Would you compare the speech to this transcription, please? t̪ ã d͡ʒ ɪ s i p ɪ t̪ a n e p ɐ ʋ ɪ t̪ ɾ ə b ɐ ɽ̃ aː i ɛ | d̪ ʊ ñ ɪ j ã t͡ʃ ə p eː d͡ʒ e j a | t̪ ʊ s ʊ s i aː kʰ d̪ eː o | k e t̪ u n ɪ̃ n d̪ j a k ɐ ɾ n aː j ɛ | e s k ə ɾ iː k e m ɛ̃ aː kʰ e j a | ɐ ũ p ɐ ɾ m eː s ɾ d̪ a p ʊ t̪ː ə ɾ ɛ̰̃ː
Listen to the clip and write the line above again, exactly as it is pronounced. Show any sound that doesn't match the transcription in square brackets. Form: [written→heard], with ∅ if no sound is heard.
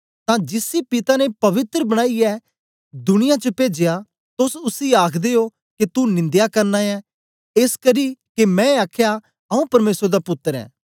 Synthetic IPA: t̪ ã d͡ʒ ɪ s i p ɪ t̪ a n e p ɐ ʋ ɪ t̪ ɾ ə b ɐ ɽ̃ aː i ɛ | d̪ ʊ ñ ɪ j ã t͡ʃ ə p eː d͡ʒ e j a | t̪ ʊ s ʊ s i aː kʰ d̪ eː o | k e t̪ u n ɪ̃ n d̪ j a k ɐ ɾ n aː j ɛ | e s k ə ɾ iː k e m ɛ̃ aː kʰ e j a | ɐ ũ p ɐ ɾ m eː s ɾ d̪ a p ʊ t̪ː ə ɾ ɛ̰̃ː